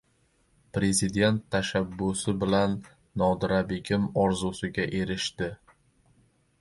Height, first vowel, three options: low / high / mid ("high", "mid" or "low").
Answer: mid